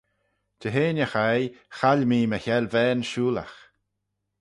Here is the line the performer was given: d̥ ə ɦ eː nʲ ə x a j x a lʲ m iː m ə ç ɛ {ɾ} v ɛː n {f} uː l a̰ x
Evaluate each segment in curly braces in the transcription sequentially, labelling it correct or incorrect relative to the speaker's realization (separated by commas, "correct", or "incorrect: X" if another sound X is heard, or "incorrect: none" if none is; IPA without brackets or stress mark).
incorrect: l, incorrect: ʃ